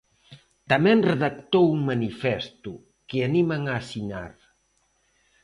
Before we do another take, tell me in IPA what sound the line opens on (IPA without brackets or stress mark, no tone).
t̪